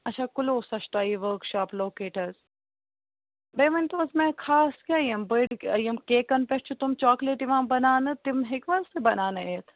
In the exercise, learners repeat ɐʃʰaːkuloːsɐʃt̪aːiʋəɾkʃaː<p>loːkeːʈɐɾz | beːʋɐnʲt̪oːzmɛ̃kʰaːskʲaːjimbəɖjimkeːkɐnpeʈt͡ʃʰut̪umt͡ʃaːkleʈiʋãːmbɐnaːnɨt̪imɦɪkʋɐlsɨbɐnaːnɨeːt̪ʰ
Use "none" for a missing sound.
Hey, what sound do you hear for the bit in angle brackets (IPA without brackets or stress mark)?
p